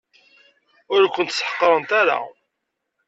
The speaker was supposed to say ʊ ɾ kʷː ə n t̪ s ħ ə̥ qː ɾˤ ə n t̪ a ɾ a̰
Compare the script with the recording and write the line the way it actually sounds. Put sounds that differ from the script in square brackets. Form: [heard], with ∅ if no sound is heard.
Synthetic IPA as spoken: ʊ ɾ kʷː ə n t̪ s ħ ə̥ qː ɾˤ ə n t̪ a ɾ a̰